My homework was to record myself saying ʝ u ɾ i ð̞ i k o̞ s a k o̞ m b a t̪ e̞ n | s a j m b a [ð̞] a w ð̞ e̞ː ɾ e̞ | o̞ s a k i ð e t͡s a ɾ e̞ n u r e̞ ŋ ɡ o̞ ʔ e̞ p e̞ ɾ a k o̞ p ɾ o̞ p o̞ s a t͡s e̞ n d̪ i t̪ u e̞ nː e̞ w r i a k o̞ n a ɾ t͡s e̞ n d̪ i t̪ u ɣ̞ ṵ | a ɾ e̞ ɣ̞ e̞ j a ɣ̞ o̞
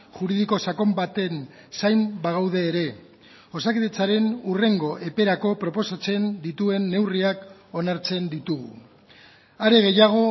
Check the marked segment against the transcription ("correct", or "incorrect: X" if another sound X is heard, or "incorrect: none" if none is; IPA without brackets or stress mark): incorrect: ɣ̞